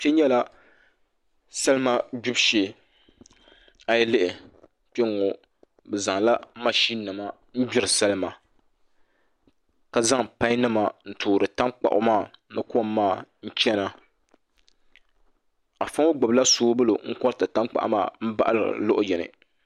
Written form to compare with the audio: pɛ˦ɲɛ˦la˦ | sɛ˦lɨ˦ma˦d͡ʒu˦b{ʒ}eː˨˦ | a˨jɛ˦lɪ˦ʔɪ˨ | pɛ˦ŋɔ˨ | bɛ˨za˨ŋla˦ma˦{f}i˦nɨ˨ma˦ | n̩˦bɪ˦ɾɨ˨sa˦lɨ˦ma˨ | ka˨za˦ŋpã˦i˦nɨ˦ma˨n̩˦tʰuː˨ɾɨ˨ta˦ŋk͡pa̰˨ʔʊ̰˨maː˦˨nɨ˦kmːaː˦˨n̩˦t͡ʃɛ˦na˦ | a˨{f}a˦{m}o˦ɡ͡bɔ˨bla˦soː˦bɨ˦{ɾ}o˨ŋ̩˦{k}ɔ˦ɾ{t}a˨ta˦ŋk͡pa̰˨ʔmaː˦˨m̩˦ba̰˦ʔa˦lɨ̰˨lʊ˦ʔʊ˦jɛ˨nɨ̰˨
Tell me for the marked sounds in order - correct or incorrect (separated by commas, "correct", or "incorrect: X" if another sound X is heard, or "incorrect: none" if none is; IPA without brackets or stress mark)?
incorrect: ʃ, incorrect: ʃ, correct, incorrect: ŋ, incorrect: l, correct, correct